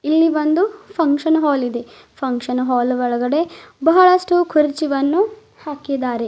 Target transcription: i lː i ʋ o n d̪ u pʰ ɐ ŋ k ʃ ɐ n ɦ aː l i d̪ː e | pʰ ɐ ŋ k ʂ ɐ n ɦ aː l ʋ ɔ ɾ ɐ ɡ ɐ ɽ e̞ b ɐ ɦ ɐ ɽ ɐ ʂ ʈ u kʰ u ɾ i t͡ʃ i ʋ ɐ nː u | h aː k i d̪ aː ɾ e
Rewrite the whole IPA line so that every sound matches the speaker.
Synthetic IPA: i lː i ʋ o n d̪ u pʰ ɐ ŋ k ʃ ɐ n ɦ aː l i d̪ e | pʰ ɐ ŋ k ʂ ɐ n ɦ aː l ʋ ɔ ɭ ɐ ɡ ɐ ɽ e̞ b ɐ ɦ ɐ ɭ ɐ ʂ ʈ u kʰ u ɾ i t͡ʃ i ʋ ɐ nː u | h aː k i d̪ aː ɾ e